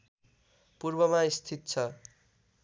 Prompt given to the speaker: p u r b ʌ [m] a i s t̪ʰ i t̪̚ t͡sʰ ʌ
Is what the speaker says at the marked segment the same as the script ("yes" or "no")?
yes